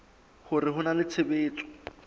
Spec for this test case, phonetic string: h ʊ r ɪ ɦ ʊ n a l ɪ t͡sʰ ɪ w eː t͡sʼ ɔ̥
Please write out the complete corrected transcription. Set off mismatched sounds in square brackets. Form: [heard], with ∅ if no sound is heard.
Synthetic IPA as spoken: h ʊ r ɪ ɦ ʊ n a l ɪ t͡sʰ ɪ [b] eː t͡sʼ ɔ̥

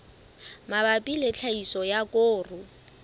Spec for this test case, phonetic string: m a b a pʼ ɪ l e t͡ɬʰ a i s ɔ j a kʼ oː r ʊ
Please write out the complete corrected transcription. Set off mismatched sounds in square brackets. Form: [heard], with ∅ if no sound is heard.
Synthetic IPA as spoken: m a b a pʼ [i] l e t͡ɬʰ a i s ɔ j a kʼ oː r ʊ

